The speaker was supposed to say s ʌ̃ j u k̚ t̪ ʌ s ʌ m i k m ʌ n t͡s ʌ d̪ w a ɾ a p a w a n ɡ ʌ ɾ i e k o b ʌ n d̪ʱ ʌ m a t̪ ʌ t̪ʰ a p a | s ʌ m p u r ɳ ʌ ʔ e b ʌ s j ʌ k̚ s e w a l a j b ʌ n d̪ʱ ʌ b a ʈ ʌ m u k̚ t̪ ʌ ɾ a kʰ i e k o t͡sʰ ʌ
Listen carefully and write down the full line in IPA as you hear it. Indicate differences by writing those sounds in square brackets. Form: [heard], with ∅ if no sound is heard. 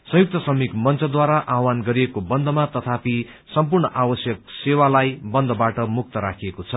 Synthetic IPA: s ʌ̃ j u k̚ t̪ ʌ s ʌ m i k m ʌ n t͡s ʌ d̪ w a ɾ a [ʔ] a w a n ɡ ʌ ɾ i e k o b ʌ n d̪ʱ ʌ m a t̪ ʌ t̪ʰ a p [i] | s ʌ m p u r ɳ ʌ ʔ [a] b ʌ s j ʌ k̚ s e w a l a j b ʌ n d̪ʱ ʌ b a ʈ ʌ m u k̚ t̪ ʌ ɾ a kʰ i e k o t͡sʰ ʌ